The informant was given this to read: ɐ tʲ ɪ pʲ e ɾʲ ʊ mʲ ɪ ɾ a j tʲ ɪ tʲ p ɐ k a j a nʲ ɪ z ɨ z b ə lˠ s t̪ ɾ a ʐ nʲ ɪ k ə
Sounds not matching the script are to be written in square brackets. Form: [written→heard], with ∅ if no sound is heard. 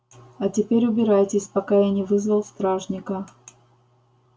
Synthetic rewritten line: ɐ tʲ ɪ pʲ e ɾʲ ʊ [mʲ→bʲ] ɪ ɾ a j tʲ ɪ [tʲ→sʲ] p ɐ k a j a nʲ ɪ [z→v] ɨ z [b→v] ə lˠ s t̪ ɾ a ʐ nʲ ɪ k ə